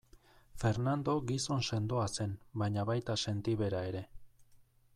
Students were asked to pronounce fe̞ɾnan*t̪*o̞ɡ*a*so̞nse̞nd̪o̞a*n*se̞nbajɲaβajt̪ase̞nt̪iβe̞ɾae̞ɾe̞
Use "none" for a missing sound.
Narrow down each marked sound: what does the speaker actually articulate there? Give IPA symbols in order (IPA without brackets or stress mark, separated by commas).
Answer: d̪, i, none